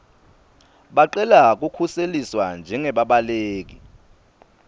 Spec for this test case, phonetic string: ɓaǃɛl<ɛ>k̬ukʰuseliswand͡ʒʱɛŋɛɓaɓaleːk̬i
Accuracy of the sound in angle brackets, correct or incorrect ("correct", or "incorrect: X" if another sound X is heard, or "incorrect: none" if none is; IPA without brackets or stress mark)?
incorrect: a